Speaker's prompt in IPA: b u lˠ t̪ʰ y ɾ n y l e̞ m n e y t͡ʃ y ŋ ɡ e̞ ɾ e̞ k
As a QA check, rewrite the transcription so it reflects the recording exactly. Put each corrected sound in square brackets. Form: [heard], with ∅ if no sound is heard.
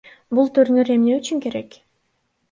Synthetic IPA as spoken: b u lˠ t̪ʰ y ɾ n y [ɾ] e̞ m n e y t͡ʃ y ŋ [k] e̞ ɾ e̞ k